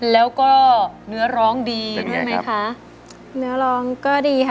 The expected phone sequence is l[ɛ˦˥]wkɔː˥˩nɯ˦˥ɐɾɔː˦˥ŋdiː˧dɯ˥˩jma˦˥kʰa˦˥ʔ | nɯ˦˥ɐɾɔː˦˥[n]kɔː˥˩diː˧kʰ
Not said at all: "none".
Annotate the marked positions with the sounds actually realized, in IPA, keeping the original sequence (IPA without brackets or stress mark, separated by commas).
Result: ɛː˦˥, ŋ